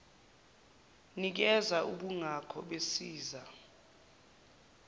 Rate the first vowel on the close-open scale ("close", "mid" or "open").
close